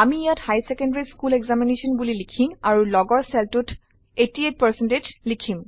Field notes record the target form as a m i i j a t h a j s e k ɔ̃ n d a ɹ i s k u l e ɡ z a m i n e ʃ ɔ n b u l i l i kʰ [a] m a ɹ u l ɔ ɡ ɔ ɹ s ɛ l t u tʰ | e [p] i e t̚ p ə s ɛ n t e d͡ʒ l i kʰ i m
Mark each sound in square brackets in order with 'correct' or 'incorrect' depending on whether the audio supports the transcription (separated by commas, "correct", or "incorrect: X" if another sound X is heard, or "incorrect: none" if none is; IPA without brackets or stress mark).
incorrect: i, incorrect: t